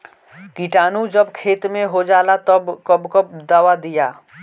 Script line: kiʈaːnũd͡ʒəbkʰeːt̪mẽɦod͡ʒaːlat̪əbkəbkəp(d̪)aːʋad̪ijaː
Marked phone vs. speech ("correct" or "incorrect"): correct